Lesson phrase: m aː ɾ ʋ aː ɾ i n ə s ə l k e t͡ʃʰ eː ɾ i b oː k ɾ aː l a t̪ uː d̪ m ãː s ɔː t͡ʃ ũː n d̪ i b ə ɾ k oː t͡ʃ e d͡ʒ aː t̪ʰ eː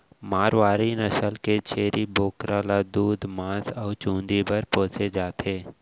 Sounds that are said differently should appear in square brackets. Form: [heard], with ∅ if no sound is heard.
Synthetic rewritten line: m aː ɾ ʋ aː ɾ i n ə s ə l k e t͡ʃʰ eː ɾ i b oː k ɾ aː l a [d̪] uː d̪ m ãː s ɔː t͡ʃ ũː n d̪ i b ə ɾ [p] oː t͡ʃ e d͡ʒ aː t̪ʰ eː